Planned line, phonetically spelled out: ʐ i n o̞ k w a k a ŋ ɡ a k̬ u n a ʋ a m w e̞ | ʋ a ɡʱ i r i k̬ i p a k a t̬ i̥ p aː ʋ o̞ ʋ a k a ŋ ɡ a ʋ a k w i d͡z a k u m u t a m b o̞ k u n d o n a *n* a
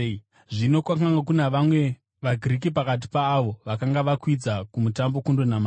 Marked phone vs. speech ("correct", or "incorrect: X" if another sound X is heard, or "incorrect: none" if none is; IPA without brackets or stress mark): incorrect: m